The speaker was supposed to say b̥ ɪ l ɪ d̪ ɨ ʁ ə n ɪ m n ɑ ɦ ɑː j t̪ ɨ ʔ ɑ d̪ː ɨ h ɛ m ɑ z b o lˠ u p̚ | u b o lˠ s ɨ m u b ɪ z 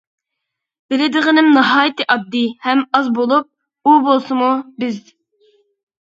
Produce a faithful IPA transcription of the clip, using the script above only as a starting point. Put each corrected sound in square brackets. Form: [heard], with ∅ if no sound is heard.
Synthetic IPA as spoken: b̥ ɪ l ɪ d̪ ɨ ʁ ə n ɪ m n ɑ ɦ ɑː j t̪ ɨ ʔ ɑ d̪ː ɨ h ɛ m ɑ z b o lˠ u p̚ | u b o lˠ s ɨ m u b ɪ z